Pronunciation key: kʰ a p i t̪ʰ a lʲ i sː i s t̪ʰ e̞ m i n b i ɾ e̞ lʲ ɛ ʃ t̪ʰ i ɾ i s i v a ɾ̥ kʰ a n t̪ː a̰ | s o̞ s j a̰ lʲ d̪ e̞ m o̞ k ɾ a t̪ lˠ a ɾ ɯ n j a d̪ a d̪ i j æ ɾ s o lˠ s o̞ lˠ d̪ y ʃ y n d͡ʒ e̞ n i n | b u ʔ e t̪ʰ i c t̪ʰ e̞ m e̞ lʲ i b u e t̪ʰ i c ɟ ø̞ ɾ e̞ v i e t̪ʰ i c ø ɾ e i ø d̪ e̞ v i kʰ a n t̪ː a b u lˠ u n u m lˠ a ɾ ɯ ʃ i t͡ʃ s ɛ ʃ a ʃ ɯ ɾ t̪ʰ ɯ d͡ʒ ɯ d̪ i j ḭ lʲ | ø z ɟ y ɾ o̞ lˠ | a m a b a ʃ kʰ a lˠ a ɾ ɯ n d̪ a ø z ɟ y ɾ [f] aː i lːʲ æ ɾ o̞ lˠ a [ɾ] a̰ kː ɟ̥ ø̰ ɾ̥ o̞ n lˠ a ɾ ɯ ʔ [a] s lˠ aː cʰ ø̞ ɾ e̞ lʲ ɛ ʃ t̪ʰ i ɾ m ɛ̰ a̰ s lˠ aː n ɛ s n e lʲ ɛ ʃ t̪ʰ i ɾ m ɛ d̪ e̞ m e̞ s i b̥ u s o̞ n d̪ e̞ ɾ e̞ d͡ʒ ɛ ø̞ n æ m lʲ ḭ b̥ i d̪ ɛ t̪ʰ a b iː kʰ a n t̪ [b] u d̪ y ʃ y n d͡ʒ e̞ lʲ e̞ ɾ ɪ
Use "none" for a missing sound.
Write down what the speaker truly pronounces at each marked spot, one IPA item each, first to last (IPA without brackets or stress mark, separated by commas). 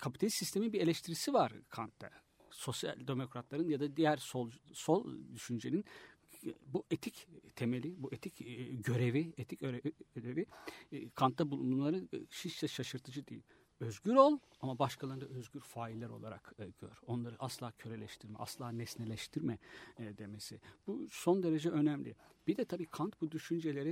f, ɾ, a, b